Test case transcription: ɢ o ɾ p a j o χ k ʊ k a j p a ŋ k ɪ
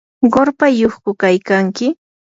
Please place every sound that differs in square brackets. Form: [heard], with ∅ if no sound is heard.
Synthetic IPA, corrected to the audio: ɢ o ɾ p a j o χ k ʊ k a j [k] a ŋ k ɪ